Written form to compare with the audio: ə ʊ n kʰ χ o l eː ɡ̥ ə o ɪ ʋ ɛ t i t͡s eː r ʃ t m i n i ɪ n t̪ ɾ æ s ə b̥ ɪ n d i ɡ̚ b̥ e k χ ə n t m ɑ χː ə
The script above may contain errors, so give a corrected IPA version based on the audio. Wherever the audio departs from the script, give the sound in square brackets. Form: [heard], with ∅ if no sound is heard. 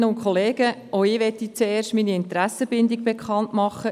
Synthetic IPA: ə ʊ n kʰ χ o l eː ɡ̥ ə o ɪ ʋ ɛ t i t͡s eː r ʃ t m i n i ɪ n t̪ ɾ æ s ə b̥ ɪ n d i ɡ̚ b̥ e k χ [ɑ] n t m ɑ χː ə

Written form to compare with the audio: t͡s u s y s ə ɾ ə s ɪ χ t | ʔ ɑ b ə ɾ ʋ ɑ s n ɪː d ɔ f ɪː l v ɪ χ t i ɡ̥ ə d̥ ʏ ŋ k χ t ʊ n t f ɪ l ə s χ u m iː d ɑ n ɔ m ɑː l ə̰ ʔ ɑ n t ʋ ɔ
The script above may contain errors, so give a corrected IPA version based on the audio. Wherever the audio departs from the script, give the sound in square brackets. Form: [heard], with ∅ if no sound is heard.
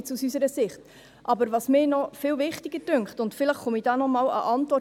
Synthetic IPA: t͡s u s y s ə ɾ ə s ɪ χ t | ʔ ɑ b ə ɾ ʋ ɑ s [m] ɪː [n] ɔ f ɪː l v ɪ χ t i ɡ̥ ə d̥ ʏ ŋ k χ t ʊ n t f ɪ l ə [χ] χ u m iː d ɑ n ɔ m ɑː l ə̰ ʔ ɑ n t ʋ ɔ

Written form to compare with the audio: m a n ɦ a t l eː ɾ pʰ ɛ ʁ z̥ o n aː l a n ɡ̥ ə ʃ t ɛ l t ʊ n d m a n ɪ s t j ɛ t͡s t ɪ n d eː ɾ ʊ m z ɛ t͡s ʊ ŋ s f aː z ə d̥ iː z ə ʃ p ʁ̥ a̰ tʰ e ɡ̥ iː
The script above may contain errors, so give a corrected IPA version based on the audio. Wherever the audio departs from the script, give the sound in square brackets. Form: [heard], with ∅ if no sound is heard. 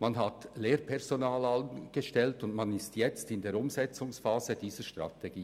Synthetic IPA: m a n ɦ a t l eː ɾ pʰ ɛ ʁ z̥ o n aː l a n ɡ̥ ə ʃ t ɛ l t ʊ n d m a n ɪ s t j ɛ t͡s t ɪ n d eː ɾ ʊ m z ɛ t͡s ʊ ŋ s f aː z ə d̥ iː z ə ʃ [t] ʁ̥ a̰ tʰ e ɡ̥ iː

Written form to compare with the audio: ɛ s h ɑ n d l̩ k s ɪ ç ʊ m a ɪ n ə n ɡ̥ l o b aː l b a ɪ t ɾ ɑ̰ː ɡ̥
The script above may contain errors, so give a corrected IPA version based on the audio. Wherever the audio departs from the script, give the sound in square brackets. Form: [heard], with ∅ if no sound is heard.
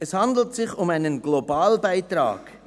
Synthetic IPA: ɛ s h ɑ n d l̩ [t] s ɪ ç ʊ m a ɪ n ə n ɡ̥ l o b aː l b a ɪ t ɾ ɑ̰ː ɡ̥

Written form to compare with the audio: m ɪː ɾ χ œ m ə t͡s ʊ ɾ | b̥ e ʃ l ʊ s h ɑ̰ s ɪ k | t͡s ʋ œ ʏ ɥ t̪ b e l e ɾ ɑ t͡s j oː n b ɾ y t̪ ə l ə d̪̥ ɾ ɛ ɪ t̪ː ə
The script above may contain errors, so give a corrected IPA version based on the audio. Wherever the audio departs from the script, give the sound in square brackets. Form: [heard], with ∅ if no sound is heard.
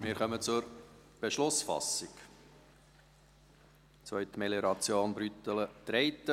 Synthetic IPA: m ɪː ɾ χ œ m ə t͡s ʊ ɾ | b̥ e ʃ l ʊ s [f] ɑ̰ s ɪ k | t͡s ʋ œ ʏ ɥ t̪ [m] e l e ɾ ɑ t͡s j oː n b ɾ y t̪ ə l ə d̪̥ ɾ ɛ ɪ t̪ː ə

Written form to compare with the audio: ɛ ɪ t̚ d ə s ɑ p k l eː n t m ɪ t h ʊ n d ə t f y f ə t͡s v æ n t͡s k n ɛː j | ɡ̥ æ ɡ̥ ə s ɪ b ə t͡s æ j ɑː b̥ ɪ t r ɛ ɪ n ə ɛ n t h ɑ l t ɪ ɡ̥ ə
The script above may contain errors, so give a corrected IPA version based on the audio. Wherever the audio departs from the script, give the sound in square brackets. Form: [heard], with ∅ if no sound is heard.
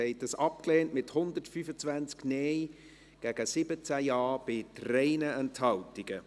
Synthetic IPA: ɛ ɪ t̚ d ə s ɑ p k l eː n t m ɪ t h ʊ n d ə t f y f ə t͡s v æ n t͡s k n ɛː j | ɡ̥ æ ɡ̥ ə s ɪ b ə t͡s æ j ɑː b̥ ɪ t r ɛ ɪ n ə ɛ n t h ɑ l t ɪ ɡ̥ ə

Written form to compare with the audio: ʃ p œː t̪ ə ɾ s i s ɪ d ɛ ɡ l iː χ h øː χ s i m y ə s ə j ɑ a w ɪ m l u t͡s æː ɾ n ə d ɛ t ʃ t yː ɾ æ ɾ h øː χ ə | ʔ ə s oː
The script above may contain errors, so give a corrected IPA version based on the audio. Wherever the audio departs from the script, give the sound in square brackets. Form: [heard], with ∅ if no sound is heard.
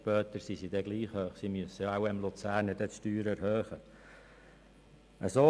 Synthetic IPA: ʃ p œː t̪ ə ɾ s i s [i] d ɛ ɡ l iː χ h øː χ s i m y ə s ə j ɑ a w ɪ m l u t͡s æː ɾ n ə d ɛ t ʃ t yː ɾ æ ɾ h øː χ ə | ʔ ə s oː

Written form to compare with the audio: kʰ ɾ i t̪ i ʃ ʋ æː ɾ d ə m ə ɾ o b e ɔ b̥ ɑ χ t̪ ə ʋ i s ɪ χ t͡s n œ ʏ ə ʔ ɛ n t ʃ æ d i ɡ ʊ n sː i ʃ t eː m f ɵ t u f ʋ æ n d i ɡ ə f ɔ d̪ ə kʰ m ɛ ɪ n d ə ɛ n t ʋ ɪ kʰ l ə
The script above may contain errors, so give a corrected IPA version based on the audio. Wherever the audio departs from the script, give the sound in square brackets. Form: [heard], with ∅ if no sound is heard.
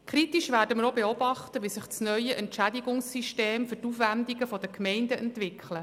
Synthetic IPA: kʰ ɾ i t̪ i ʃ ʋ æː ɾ d ə m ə ɾ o b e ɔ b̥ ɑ χ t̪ ə ʋ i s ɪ χ t͡s n œ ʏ ə ʔ ɛ n t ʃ æ d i ɡ ʊ [ŋ] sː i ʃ t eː m f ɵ t u f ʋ æ n d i ɡ ə f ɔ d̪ ə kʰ m ɛ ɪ n d ə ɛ n t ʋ ɪ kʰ l ə

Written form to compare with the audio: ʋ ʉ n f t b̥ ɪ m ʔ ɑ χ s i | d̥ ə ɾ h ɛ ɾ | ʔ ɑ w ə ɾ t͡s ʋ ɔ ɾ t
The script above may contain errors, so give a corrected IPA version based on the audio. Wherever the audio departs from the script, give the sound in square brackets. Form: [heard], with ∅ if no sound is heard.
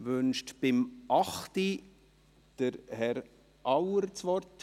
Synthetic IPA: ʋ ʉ n [ʃ] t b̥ ɪ m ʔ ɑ χ [t] i | d̥ ə ɾ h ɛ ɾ | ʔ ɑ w ə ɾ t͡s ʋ ɔ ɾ t

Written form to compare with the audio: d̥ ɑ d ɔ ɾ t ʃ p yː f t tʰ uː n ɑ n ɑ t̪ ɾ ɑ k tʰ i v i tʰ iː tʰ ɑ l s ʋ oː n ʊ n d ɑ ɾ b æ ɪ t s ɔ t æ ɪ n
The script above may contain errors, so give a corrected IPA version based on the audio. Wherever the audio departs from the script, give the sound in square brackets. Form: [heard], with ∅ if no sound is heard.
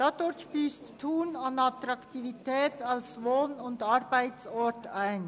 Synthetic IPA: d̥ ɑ d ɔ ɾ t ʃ p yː [s] t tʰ uː n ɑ n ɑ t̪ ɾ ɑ k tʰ i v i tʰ [ɛː] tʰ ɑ l s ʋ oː n ʊ n d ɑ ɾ b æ ɪ t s ɔ t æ ɪ n

